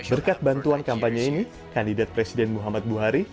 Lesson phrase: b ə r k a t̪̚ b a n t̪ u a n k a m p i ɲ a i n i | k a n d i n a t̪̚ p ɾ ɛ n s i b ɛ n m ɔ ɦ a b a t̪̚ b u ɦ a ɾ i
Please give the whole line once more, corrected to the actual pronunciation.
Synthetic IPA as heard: b ə r k a t̪̚ b a n t̪ u a n k a m p a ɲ a i n i | k a n d i d a t̪̚ p ɾ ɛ s i d ɛ n m u ɦ a m a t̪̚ b u ɦ a ɾ i